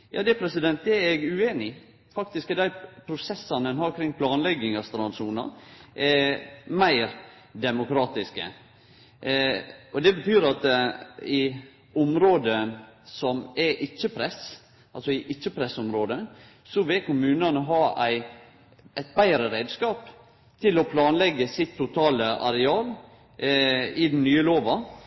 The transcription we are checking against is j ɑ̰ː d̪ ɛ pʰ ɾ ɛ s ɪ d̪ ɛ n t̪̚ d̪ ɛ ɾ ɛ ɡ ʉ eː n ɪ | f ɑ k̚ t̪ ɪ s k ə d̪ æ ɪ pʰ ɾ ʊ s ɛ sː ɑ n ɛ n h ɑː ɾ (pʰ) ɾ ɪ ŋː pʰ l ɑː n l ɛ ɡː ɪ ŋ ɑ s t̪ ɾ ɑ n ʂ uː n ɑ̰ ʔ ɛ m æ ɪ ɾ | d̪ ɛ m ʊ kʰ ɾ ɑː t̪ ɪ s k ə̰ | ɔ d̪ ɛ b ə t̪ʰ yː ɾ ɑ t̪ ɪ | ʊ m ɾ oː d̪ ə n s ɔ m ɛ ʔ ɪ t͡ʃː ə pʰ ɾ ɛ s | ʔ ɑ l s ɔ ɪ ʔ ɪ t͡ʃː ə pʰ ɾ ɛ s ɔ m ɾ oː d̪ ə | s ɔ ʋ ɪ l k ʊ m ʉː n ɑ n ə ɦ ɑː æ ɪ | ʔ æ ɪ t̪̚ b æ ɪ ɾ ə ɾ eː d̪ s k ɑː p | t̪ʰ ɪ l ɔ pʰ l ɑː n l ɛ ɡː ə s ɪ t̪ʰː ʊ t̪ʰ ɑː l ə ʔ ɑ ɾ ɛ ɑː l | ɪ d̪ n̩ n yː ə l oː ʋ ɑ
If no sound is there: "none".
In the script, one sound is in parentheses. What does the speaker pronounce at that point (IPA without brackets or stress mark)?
kʰ